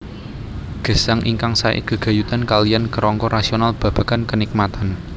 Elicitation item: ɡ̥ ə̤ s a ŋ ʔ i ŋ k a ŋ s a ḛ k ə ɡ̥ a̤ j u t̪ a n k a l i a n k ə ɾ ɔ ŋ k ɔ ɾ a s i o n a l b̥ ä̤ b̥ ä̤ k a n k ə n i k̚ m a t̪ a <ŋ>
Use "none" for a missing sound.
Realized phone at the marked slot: n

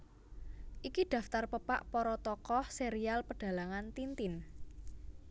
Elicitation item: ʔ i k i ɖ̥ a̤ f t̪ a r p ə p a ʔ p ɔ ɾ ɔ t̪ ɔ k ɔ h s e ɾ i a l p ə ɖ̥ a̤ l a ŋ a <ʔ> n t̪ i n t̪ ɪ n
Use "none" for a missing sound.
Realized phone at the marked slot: none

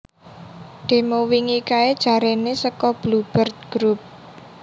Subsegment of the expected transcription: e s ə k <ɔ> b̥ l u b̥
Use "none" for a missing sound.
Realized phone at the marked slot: ɔ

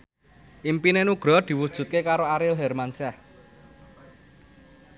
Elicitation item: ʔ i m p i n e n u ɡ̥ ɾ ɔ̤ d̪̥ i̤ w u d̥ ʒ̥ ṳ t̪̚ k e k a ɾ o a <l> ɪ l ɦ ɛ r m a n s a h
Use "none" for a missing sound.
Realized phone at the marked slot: ɾ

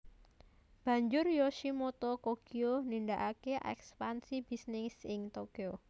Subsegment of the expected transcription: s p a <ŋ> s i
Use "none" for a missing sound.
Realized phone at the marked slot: n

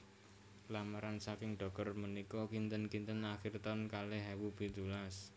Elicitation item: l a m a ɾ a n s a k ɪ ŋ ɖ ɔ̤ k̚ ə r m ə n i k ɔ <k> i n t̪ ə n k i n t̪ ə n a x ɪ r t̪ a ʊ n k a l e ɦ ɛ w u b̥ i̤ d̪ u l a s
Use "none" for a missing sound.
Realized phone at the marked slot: k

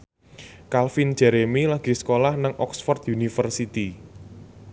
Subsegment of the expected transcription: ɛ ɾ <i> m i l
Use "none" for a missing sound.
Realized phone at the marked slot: e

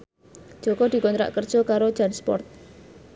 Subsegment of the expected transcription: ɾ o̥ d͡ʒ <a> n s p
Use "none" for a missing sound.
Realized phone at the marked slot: a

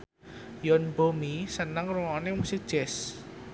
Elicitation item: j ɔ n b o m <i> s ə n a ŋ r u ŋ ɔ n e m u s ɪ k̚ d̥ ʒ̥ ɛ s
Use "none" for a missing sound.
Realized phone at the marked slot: i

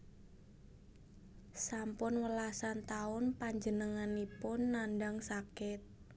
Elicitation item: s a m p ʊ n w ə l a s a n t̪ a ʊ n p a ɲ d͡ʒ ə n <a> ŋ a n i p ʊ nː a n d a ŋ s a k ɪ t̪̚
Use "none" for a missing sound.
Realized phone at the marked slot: ə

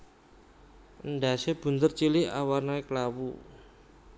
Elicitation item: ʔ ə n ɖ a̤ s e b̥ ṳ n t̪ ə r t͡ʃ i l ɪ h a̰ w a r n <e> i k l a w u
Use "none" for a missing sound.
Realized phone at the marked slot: a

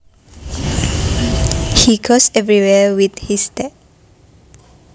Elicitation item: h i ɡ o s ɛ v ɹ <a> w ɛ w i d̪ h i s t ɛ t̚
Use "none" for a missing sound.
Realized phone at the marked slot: i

